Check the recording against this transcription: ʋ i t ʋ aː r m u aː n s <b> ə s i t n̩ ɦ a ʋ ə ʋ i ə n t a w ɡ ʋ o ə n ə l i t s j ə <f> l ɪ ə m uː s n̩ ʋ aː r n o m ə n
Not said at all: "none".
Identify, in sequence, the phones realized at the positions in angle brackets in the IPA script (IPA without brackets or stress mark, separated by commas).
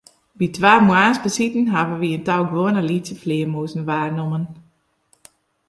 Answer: b, f